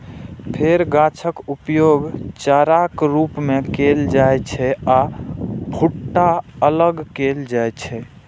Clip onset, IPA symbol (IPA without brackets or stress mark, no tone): pʰ